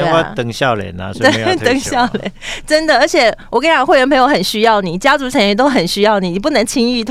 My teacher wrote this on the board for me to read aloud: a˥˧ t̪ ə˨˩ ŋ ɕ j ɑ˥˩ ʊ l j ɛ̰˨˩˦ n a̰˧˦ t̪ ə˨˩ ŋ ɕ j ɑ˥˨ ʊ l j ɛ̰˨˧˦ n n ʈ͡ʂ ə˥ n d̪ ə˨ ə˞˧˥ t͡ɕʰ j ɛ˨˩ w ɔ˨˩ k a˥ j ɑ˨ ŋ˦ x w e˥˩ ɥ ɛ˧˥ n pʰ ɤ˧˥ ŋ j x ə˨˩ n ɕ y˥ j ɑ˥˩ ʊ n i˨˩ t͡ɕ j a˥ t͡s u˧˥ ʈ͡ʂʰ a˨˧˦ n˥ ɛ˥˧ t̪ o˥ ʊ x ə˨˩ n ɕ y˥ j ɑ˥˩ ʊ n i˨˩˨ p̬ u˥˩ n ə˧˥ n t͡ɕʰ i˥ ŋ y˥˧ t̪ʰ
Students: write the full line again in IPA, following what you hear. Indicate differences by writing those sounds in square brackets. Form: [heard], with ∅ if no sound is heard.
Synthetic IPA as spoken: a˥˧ t̪ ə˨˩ ŋ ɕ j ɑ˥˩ ʊ l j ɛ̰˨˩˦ n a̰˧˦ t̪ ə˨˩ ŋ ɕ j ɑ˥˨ ʊ l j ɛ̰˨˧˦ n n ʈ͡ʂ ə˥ n d̪ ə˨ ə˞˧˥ t͡ɕʰ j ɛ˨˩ w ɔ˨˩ k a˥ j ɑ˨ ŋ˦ x w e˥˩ ɥ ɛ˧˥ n pʰ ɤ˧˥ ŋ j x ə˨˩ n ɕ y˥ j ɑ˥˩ ʊ n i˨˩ t͡ɕ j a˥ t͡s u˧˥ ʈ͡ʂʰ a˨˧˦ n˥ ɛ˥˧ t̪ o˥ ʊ x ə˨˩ n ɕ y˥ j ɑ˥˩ ʊ n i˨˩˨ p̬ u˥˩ n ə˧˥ [ŋ] t͡ɕʰ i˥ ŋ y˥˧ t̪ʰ